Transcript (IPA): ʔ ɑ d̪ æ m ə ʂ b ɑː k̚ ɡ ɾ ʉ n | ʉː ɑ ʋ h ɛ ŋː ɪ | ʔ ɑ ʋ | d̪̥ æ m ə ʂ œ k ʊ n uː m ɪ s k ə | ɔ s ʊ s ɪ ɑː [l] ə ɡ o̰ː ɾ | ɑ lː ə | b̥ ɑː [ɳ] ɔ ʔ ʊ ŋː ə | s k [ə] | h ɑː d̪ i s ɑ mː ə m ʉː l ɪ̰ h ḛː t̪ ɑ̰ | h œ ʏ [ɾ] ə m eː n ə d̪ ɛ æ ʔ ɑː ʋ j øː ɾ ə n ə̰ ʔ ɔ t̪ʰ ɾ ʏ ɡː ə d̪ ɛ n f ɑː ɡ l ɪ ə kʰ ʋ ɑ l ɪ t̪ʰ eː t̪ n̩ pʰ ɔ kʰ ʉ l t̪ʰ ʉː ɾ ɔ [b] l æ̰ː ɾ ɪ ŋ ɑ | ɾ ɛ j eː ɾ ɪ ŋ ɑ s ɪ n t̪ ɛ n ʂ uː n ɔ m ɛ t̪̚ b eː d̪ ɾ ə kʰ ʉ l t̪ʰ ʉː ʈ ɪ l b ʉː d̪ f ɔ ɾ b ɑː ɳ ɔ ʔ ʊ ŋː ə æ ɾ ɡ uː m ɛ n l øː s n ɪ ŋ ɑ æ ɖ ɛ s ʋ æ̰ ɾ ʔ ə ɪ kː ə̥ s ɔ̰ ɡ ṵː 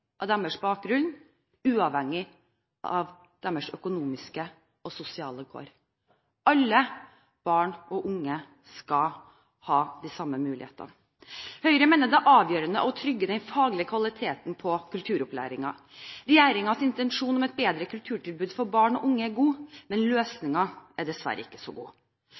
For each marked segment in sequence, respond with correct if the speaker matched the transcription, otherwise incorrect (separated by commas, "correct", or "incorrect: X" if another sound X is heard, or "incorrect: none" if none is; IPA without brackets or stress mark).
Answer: correct, correct, incorrect: ɑ, correct, incorrect: p